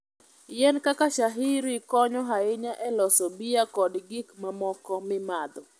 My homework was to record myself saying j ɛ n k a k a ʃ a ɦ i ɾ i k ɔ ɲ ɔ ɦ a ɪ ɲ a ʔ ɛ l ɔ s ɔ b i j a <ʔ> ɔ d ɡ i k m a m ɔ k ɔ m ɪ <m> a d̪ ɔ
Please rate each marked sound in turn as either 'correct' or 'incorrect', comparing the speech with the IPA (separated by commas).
incorrect, correct